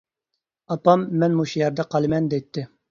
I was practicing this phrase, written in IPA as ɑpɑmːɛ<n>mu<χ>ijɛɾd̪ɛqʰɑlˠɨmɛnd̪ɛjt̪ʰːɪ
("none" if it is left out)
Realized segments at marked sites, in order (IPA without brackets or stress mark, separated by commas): n, ʃ